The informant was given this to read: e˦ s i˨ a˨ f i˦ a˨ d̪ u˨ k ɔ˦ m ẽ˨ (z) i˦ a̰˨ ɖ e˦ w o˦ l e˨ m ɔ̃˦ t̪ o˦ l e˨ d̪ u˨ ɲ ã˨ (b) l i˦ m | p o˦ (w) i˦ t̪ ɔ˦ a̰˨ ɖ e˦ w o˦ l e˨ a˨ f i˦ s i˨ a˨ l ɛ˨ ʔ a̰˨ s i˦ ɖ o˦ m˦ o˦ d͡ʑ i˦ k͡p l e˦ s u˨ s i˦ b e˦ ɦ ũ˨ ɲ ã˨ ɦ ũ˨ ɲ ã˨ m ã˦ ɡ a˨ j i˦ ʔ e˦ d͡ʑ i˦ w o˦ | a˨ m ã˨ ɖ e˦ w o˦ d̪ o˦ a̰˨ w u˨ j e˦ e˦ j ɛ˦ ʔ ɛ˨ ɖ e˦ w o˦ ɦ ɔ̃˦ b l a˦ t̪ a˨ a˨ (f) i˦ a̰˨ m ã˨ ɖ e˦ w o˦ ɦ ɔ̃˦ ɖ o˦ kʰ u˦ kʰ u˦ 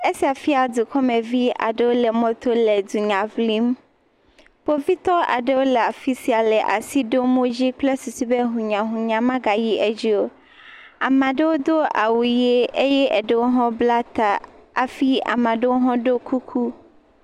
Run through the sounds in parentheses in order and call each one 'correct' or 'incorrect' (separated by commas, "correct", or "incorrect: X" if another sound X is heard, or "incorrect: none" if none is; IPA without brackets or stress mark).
incorrect: v, incorrect: v, incorrect: v, correct